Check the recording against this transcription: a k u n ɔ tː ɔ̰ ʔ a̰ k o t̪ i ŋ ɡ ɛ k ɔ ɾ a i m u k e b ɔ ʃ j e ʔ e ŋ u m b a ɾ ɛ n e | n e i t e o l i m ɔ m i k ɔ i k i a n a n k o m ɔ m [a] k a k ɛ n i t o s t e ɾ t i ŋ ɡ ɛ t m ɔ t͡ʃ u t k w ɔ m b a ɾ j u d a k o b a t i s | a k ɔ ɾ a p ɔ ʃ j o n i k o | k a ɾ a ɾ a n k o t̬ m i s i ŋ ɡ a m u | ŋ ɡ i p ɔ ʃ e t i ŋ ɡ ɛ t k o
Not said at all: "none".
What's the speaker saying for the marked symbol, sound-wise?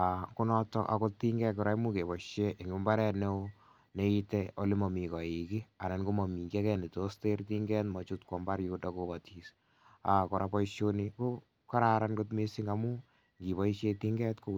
i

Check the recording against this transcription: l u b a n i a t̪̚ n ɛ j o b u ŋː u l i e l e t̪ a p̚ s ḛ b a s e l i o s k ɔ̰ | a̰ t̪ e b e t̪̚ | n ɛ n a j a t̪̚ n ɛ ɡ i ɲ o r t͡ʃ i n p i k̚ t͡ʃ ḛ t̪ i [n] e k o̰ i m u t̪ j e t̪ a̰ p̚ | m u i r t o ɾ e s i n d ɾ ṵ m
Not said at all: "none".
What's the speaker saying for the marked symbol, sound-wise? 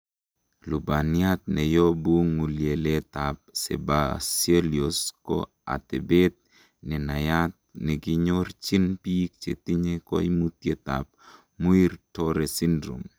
ɲ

